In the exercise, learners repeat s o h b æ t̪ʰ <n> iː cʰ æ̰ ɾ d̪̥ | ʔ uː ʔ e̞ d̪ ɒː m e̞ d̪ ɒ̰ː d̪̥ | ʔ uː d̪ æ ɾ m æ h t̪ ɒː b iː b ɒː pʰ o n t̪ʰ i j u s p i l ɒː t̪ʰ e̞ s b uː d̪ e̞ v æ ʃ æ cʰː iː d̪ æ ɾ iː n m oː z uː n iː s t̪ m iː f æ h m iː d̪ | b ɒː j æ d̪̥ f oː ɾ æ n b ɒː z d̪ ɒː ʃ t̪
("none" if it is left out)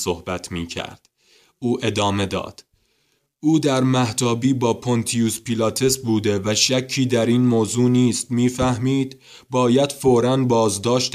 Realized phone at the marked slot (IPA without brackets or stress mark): m